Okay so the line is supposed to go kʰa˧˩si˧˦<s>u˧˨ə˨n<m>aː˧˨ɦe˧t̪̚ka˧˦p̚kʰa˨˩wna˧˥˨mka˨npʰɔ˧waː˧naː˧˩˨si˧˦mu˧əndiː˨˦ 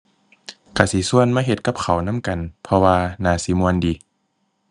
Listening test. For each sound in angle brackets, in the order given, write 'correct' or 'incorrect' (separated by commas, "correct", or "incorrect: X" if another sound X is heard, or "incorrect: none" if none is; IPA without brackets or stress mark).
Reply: correct, correct